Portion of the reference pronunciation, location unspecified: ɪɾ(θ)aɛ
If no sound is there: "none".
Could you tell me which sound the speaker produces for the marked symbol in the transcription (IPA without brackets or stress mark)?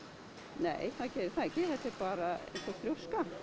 θ